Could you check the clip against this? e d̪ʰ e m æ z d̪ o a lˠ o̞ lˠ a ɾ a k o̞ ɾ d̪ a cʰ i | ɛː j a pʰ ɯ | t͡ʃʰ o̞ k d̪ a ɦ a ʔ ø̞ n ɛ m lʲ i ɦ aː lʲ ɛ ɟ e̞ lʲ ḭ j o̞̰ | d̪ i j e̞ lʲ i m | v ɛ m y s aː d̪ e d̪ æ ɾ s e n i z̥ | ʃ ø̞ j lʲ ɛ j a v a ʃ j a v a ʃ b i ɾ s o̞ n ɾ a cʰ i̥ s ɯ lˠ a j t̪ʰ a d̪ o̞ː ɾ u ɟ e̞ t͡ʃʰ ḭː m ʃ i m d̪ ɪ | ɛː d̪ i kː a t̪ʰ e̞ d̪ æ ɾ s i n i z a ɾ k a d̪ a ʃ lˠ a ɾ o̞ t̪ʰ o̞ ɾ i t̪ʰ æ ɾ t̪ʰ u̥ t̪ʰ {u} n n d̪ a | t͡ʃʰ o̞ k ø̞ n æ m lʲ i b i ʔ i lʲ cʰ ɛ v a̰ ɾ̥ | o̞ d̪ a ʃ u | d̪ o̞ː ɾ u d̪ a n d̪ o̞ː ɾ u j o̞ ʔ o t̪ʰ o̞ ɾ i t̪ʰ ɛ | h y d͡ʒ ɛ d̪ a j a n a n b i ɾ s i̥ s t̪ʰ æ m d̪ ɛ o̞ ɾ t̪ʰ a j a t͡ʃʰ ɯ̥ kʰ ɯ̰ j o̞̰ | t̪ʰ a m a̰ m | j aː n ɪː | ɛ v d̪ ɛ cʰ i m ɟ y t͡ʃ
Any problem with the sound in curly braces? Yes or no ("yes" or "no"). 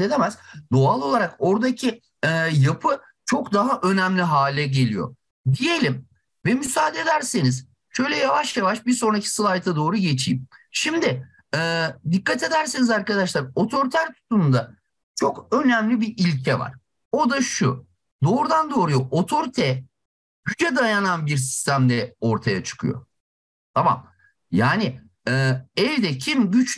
no